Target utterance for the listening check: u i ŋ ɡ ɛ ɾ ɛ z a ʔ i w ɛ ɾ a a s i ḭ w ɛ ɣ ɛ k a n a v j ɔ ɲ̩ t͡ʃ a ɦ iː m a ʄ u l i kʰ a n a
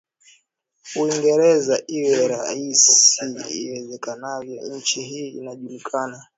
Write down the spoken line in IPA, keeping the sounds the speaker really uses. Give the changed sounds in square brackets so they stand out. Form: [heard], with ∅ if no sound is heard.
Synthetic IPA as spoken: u i ŋ ɡ ɛ ɾ ɛ z a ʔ i w ɛ ɾ a [i] s i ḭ w ɛ [z] ɛ k a n a v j ɔ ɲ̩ t͡ʃ [i] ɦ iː [n] a ʄ u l i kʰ a n a